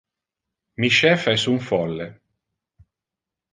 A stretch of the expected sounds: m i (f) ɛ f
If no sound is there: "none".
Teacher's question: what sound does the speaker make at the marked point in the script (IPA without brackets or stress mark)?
ʃ